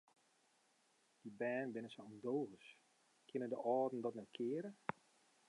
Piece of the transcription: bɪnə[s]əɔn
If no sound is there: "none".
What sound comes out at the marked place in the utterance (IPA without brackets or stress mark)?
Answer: s